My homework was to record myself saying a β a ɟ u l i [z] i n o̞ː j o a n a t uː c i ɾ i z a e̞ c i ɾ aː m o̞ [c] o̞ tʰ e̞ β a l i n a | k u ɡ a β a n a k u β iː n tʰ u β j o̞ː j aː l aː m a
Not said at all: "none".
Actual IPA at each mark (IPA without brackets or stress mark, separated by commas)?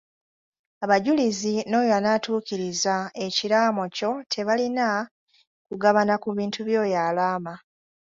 z, c